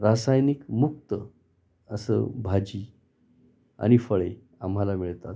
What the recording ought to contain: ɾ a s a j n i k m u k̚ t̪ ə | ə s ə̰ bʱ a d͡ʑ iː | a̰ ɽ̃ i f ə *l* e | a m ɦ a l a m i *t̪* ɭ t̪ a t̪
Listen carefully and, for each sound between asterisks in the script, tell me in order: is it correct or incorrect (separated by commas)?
incorrect, incorrect